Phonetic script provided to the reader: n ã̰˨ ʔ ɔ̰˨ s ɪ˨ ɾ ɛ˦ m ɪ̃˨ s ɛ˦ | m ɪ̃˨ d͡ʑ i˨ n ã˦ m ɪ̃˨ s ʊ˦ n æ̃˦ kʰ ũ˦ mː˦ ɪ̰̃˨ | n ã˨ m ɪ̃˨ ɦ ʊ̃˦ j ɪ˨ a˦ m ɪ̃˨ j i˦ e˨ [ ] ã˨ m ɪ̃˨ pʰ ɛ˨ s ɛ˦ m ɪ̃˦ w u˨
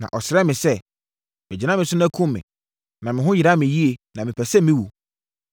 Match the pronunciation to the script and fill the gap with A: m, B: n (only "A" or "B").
B